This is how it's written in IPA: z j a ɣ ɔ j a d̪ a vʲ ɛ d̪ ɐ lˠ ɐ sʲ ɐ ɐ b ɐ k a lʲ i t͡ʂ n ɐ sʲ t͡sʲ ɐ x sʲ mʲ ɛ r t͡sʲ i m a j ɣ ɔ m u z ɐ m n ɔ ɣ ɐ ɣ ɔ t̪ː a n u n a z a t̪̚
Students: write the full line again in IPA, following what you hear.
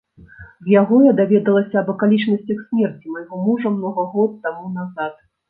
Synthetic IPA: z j a ɣ ɔ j a d̪ a vʲ ɛ d̪ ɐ lˠ ɐ sʲ ɐ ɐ b ɐ k a lʲ i t͡ʂ n ɐ sʲ t͡sʲ ɐ x sʲ mʲ ɛ r t͡sʲ i m a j ɣ ɔ m u ʐ ɐ m n ɔ ɣ ɐ ɣ ɔ t̪ː a m u n a z a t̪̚